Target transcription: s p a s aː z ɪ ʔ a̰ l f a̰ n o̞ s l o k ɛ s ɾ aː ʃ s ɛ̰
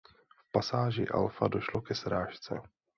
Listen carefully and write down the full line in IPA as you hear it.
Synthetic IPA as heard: f p a s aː ʒ ɪ ʔ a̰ l f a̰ d o̞ ʃ l o k ɛ s ɾ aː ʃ t͡s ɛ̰

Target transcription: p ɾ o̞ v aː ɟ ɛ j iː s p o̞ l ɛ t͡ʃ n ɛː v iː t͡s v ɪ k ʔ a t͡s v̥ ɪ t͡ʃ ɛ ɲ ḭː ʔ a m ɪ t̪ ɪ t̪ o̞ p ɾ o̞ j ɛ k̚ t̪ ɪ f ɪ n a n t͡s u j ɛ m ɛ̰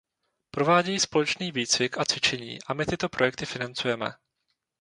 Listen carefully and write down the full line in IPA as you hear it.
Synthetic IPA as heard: p ɾ o̞ v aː ɟ ɛ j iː s p o̞ l ɛ t͡ʃ n iː v iː t͡s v ɪ k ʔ a t͡s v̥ ɪ t͡ʃ ɛ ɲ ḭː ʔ a m ɪ t̪ ɪ t̪ o̞ p ɾ o̞ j ɛ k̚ t̪ ɪ f ɪ n a n t͡s u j ɛ m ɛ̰

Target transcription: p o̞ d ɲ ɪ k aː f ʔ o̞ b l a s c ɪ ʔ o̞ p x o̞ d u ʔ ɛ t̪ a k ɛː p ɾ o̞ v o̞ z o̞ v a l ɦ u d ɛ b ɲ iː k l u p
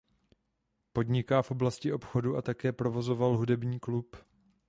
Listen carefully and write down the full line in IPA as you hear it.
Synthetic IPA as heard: p o̞ d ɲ ɪ k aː f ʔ o̞ b l a s c ɪ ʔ o̞ p x o̞ d u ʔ a t̪ a k ɛː p ɾ o̞ v o̞ z o̞ v a l ɦ u d ɛ b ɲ iː k l u p

